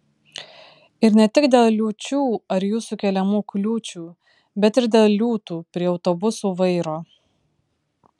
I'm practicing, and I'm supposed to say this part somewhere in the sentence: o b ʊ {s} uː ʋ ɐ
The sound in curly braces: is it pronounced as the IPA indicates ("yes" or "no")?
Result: yes